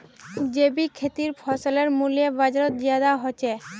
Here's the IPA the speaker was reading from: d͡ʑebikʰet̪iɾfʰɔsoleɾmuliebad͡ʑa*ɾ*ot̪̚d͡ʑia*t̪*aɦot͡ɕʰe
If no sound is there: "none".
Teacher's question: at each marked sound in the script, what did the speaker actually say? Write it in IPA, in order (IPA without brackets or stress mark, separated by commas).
ɾ, d̪